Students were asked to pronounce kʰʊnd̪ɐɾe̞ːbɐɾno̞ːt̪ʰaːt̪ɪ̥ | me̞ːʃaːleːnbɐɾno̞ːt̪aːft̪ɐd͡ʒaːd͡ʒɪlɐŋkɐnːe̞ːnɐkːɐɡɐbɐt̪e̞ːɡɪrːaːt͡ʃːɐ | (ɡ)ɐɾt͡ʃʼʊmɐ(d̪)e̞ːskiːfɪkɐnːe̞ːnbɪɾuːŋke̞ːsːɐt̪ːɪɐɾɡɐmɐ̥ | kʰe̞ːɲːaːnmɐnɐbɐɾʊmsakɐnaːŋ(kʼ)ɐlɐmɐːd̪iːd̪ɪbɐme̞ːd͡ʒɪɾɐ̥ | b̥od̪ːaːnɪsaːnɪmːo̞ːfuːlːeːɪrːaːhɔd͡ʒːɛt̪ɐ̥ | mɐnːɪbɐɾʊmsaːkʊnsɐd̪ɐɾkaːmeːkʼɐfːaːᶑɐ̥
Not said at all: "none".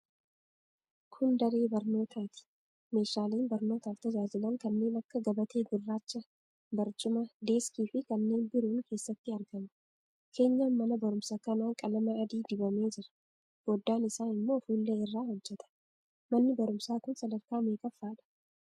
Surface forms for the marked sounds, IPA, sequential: b, d̪, kʼ

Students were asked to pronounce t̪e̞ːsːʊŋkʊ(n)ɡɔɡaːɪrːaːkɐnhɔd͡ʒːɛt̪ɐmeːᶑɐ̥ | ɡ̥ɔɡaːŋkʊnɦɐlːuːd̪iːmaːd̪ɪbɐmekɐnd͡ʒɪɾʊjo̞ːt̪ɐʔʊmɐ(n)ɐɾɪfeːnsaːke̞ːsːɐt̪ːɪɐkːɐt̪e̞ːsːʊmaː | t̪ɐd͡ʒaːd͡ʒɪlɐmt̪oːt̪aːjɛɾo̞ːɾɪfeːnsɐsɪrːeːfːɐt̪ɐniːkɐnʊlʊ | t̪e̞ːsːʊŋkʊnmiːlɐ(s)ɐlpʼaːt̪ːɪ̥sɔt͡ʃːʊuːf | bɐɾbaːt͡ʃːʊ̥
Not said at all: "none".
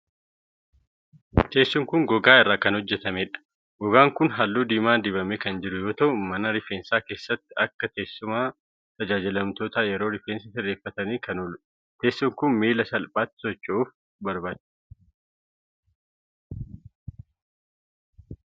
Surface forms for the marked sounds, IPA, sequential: ŋ, n, s

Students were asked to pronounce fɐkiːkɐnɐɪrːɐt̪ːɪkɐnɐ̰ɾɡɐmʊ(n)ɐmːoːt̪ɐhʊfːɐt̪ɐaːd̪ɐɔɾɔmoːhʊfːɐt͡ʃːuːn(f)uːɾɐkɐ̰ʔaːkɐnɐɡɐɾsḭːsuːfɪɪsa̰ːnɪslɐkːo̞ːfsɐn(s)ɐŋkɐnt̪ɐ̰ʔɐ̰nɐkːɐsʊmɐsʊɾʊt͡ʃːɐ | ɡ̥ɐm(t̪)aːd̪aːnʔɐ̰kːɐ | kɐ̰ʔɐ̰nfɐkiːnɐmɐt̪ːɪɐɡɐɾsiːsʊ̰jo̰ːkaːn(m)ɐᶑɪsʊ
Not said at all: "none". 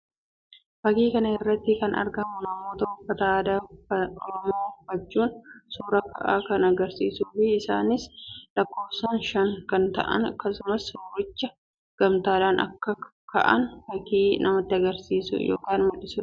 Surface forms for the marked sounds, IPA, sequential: n, s, ʃ, t̪, m

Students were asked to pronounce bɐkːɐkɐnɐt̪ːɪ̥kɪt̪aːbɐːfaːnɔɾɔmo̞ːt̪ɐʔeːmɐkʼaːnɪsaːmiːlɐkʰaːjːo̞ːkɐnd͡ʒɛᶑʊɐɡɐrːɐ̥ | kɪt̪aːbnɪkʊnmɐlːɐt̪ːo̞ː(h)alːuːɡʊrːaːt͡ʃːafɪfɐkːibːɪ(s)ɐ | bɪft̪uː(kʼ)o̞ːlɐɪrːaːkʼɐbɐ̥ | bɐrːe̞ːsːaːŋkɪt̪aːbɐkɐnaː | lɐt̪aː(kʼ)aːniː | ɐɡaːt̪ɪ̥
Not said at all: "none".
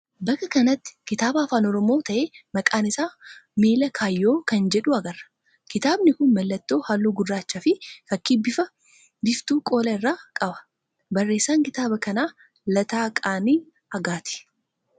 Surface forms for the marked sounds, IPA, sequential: h, f, kʼ, kʼ

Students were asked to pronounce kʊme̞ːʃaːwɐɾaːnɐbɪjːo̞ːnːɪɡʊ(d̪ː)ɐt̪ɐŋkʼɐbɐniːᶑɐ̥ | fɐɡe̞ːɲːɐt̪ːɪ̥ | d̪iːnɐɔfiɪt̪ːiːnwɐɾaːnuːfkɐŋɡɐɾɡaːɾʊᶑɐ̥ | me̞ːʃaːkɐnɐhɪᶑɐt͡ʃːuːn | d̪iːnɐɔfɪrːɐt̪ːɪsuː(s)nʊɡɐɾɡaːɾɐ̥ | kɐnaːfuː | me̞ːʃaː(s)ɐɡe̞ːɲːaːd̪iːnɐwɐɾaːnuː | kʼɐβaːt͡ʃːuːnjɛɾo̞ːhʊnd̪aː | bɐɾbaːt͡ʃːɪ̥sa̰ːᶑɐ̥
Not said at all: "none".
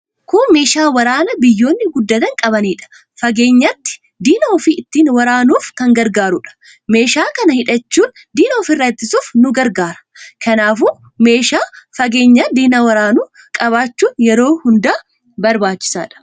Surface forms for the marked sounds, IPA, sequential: d̪ː, f, f

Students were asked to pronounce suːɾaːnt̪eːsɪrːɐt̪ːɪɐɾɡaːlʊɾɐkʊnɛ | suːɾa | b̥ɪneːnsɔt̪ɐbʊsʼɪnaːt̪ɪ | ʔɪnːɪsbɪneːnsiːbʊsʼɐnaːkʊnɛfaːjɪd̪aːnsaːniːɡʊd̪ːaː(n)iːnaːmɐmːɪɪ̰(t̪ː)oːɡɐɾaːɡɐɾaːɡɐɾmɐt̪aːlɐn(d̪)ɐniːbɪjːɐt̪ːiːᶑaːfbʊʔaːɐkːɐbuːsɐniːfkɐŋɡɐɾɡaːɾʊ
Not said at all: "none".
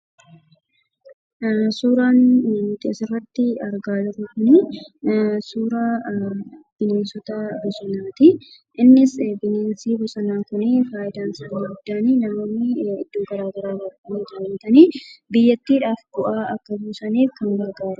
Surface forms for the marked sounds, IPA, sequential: n, d̪ː, t̪

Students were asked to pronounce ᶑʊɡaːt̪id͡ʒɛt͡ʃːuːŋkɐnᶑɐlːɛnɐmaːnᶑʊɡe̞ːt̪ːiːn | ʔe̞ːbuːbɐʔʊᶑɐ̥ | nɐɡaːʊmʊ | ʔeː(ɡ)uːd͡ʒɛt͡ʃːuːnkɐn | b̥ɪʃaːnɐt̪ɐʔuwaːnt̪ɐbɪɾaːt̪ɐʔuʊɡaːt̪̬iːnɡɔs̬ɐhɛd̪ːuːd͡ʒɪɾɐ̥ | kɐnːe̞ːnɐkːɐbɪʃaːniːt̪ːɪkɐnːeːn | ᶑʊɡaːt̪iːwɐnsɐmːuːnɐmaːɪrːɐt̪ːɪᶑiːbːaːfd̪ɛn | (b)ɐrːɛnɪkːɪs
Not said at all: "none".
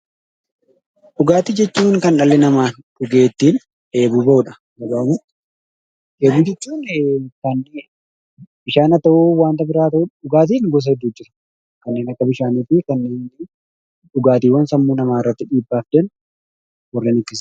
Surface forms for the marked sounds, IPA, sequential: b, w

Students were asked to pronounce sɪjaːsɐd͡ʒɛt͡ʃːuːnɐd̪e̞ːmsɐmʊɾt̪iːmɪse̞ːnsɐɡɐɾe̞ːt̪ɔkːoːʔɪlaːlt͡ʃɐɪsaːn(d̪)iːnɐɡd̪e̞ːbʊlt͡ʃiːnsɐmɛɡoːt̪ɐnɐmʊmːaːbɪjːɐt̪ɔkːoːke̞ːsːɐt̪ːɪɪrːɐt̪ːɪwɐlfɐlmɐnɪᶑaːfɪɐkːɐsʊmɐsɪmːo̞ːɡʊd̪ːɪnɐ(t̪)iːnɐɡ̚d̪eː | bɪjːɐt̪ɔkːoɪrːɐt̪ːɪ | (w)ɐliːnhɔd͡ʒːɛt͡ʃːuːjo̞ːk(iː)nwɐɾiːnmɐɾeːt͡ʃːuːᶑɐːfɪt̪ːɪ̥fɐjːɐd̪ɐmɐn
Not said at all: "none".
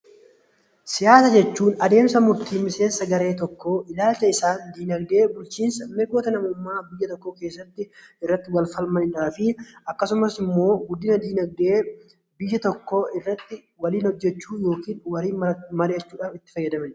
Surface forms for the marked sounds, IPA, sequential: d̪, d̪, w, iː

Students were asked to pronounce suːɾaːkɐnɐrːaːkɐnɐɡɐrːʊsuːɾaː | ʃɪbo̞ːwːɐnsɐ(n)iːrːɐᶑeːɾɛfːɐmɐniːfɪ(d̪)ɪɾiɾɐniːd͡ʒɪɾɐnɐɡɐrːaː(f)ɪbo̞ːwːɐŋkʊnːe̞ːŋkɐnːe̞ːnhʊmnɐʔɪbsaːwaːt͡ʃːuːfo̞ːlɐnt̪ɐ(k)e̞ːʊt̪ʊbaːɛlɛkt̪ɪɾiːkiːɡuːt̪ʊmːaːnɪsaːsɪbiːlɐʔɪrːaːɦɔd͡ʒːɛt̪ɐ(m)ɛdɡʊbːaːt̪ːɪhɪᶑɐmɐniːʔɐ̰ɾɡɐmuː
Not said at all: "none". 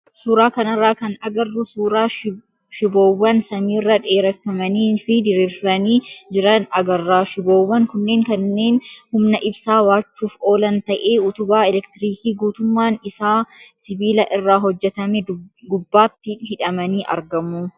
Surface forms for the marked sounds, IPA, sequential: m, d̪, ʃ, ʔ, m

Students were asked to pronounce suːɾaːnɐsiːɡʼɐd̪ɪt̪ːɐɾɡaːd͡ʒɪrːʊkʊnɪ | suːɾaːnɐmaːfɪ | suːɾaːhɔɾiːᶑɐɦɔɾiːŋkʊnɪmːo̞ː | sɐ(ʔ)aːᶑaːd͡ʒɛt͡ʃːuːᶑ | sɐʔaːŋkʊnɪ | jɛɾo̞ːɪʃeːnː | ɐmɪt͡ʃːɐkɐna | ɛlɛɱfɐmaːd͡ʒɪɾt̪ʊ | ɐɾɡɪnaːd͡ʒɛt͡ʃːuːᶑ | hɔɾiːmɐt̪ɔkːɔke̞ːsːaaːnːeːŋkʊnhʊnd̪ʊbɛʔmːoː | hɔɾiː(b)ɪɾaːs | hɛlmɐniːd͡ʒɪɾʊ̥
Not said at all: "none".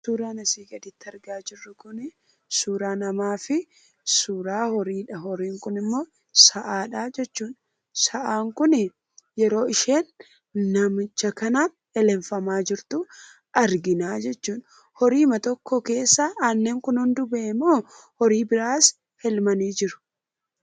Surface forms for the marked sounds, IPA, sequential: ʔ, b

